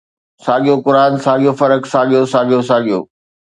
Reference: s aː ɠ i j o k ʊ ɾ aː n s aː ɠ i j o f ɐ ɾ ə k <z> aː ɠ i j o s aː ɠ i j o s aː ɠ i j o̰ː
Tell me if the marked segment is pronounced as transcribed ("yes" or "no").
no